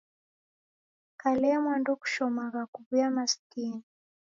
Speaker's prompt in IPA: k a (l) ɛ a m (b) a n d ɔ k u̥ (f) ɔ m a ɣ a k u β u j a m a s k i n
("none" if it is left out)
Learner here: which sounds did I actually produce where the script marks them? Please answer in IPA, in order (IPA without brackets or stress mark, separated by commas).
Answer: l, w, ʃ